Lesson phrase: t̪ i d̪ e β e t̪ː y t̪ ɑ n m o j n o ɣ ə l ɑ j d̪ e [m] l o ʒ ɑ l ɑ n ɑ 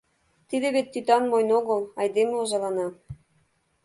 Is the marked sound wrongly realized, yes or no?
no